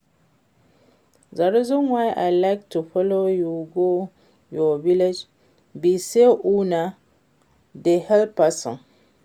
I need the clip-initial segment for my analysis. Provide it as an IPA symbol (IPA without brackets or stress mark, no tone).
z